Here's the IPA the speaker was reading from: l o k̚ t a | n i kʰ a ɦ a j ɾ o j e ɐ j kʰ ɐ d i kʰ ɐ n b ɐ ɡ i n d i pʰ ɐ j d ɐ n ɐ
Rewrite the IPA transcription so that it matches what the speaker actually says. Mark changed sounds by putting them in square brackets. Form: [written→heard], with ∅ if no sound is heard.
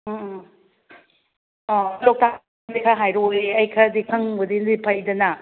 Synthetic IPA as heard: l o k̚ t a | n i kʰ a ɦ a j ɾ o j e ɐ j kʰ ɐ d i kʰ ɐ [n→ŋ] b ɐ [ɡ→d] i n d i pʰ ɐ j d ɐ n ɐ